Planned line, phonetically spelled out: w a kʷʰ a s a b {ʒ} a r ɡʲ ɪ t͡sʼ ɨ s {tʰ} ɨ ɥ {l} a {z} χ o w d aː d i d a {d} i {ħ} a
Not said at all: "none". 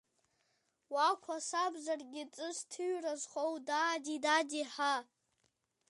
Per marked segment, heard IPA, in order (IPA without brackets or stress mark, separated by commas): z, tʰ, r, z, d, ħ